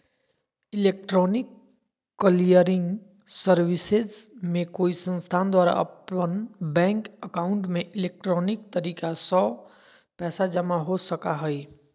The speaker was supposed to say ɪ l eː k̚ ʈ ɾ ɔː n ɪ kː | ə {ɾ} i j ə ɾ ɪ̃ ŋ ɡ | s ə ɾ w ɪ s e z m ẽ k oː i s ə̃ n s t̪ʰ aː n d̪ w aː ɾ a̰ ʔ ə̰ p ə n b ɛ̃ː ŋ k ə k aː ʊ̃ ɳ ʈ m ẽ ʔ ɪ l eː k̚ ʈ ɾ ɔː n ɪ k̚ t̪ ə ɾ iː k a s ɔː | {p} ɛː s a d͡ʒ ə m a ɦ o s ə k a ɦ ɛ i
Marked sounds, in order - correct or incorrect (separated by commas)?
incorrect, correct